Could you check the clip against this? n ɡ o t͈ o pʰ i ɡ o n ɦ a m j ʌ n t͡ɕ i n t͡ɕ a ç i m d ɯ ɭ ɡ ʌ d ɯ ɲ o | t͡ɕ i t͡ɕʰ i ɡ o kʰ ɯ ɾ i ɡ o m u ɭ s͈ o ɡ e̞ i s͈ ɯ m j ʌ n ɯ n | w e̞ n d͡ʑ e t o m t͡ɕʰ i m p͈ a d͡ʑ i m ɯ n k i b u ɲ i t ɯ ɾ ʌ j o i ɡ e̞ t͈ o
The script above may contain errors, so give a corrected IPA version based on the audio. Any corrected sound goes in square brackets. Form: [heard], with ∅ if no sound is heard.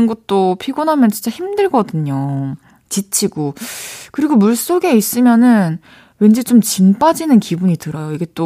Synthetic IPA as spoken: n ɡ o t͈ o pʰ i ɡ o n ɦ a m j ʌ n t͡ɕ i n t͡ɕ a ç i m d ɯ ɭ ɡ ʌ d ɯ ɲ o | t͡ɕ i t͡ɕʰ i ɡ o [k] ɯ ɾ i ɡ o m u ɭ s͈ o ɡ e̞ i s͈ ɯ m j ʌ n ɯ n | w e̞ n d͡ʑ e [t͡ɕ] o m [t͡ɕ] i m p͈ a d͡ʑ i [n] ɯ n k i b u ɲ i t ɯ ɾ ʌ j o i ɡ e̞ t͈ o